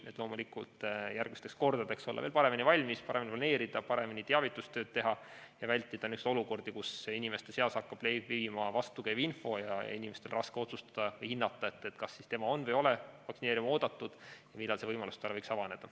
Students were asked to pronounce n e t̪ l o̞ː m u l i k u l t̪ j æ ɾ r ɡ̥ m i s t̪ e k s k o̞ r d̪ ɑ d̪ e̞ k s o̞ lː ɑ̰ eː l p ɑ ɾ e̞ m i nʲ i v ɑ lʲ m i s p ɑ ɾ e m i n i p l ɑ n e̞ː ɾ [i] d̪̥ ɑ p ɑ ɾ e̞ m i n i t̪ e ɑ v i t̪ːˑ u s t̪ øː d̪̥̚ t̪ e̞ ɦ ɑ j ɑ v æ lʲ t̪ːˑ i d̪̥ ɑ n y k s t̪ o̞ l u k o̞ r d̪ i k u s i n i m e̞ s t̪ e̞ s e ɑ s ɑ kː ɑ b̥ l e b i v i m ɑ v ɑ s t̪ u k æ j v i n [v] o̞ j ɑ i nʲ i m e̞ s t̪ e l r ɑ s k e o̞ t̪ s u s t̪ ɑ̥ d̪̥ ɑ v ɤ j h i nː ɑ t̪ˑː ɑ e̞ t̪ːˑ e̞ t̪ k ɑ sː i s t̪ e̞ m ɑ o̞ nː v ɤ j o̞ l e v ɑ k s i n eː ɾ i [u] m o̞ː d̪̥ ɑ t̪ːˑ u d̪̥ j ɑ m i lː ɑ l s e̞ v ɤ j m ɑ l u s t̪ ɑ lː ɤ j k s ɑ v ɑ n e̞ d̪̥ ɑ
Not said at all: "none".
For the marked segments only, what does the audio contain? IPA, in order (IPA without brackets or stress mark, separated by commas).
i, f, u